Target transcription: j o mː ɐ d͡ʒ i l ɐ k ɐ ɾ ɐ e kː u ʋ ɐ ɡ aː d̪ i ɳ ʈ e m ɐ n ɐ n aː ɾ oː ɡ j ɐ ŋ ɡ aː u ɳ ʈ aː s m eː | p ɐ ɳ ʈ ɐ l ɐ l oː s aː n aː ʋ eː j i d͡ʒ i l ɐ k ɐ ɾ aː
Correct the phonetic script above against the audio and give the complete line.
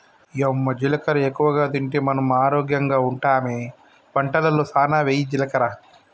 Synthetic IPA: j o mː ɐ d͡ʒ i l ɐ k ɐ ɾ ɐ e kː u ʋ ɐ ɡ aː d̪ i ɳ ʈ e m ɐ n ɐ m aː ɾ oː ɡ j ɐ ŋ ɡ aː u ɳ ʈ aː m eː | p ɐ ɳ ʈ ɐ l ɐ l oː s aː n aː ʋ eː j i d͡ʒ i l ɐ k ɐ ɾ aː